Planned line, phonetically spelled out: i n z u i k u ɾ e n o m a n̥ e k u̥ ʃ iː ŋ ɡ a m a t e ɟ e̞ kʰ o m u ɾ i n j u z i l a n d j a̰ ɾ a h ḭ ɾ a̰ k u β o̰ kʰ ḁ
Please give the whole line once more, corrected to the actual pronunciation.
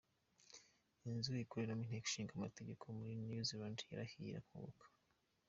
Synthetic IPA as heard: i n z u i k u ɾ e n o m i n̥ e k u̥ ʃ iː ŋ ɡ a m a t e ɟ e̞ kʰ o m u ɾ i n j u z i l a n d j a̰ ɾ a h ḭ ɾ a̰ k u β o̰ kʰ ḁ